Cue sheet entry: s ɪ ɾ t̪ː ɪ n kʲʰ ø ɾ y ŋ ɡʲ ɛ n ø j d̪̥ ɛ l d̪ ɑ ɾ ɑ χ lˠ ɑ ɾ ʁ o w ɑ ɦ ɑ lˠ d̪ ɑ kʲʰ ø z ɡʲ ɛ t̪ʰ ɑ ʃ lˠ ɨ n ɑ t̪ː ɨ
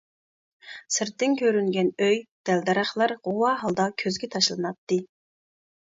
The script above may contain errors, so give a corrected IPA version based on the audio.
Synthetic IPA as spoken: s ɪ ɾ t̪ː ɪ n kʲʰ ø ɾ y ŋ ɡʲ ɛ n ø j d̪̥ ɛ l d̪ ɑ ɾ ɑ χ lˠ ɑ ɾ ʁ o w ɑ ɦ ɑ lˠ d̪ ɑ kʲʰ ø z ɡʲ ɛ t̪ʰ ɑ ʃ lˠ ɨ n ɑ t̪ː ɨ